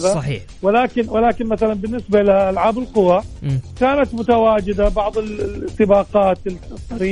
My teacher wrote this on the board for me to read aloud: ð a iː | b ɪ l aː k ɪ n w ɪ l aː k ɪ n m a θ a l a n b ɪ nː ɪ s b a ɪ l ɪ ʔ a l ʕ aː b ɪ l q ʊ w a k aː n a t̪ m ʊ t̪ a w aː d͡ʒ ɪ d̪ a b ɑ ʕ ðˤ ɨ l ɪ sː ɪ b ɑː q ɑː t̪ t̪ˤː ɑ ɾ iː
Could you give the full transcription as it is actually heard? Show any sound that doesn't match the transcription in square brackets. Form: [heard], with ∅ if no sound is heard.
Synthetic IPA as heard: ð a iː | [w] ɪ l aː k ɪ n w ɪ l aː k ɪ n m a θ a l a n b ɪ nː ɪ s b a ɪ l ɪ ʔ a l ʕ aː b ɪ l q ʊ w a k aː n a t̪ m ʊ t̪ a w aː d͡ʒ ɪ d̪ a b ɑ ʕ ðˤ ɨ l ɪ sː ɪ b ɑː q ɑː t̪ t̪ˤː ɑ ɾ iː